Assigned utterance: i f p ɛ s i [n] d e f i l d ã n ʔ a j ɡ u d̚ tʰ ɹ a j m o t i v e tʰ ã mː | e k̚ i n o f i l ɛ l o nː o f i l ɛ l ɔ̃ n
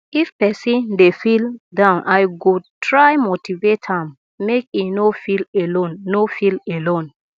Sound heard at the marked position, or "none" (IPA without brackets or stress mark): n